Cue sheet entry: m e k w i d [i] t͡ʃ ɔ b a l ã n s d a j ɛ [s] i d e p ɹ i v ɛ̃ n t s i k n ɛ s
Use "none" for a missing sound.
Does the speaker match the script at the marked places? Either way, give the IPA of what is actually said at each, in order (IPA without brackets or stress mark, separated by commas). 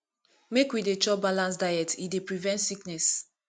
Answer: e, t